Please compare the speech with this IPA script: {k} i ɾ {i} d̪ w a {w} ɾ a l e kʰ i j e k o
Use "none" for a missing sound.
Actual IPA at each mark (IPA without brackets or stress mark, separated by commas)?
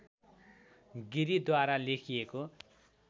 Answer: ɡ, i, none